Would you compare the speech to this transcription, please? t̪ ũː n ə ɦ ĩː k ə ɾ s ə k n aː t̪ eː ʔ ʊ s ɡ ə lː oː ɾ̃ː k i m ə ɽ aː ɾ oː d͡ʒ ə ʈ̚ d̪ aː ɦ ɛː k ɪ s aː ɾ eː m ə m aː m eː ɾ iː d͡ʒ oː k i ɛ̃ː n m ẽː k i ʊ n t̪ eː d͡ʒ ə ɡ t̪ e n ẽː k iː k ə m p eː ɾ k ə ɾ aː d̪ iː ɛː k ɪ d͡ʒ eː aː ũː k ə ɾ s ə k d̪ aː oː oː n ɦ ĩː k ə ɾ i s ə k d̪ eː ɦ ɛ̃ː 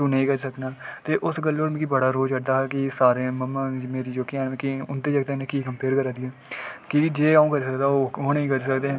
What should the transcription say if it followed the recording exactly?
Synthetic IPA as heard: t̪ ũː n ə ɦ ĩː k ə ɾ s ə k n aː t̪ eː ʔ ʊ s ɡ ə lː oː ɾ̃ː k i b ə ɽ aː ɾ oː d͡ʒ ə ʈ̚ d̪ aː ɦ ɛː k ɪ s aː ɾ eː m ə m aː m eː ɾ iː d͡ʒ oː k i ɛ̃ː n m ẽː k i ʊ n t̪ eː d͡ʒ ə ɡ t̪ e n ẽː k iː k ə m p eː ɾ k ə ɾ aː d̪ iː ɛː k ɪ d͡ʒ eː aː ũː k ə ɾ s ə k d̪ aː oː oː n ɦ ĩː k ə ɾ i s ə k d̪ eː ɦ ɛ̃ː